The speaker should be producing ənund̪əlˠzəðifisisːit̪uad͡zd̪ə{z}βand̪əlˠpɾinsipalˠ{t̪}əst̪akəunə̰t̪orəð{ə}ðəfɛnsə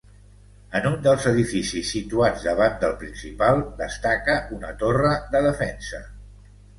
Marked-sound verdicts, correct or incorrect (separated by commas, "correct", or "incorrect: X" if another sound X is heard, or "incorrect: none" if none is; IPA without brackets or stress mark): incorrect: none, incorrect: d̪, correct